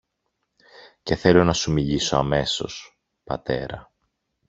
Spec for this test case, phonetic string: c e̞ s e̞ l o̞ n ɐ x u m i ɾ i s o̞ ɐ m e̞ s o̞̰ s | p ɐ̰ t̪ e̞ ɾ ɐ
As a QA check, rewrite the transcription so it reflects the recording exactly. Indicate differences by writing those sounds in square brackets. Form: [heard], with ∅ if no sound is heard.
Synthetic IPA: c e̞ [θ] e̞ l o̞ n ɐ [s] u m i [ʎ] i s o̞ ɐ m e̞ s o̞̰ s | p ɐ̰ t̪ e̞ ɾ ɐ